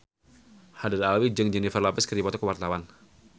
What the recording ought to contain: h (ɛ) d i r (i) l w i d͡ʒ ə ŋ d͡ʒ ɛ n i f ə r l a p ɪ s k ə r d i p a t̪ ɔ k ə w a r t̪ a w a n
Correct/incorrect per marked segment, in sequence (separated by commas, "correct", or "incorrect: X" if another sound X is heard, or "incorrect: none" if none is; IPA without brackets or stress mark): incorrect: a, incorrect: a